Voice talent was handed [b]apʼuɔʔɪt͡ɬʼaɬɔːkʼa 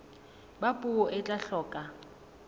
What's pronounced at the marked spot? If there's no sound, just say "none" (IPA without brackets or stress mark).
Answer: b